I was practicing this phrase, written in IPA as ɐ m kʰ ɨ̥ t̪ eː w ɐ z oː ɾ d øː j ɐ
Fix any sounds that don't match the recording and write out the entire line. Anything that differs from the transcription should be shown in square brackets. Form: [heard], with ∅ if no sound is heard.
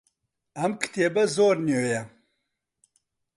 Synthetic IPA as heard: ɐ m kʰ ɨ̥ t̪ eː [b] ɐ z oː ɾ [n] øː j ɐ